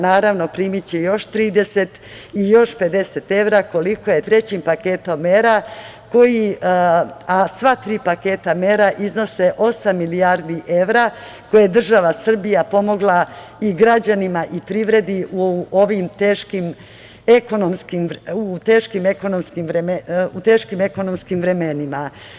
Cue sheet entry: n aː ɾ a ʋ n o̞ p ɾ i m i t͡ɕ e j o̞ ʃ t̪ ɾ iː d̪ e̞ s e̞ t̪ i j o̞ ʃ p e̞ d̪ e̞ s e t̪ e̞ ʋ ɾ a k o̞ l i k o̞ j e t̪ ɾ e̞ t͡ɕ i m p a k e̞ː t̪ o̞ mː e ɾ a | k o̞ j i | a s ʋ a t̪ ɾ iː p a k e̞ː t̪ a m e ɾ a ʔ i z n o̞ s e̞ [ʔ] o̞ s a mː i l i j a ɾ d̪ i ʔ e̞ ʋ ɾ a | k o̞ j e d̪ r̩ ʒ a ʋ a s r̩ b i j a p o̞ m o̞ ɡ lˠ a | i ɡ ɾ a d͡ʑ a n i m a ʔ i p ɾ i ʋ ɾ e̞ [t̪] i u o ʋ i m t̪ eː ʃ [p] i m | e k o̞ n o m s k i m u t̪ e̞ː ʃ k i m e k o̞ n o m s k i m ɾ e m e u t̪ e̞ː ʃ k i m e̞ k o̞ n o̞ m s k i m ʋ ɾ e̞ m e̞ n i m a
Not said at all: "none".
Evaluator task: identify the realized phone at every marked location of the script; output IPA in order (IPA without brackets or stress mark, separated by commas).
ʔ, d̪, k